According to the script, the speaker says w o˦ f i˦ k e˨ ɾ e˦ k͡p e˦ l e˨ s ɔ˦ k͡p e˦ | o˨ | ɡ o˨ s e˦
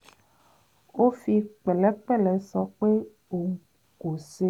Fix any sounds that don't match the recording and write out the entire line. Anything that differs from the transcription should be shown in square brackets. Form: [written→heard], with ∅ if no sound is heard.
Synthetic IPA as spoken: w o˦ f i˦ [k→k͡p] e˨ [ɾ→l] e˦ k͡p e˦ l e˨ s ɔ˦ k͡p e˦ | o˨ | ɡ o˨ s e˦